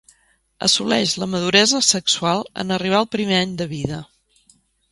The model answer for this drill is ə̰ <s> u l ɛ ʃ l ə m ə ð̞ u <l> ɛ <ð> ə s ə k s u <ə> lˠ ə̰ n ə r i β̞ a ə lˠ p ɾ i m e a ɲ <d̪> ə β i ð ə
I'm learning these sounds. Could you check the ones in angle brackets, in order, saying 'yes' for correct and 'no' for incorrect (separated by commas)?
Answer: yes, no, no, no, yes